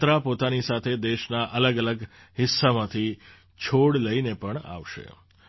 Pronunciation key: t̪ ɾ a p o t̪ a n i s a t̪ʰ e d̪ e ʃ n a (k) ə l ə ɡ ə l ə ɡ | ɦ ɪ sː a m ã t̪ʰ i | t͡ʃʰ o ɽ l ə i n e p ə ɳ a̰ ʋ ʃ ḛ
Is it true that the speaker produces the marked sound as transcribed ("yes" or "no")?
no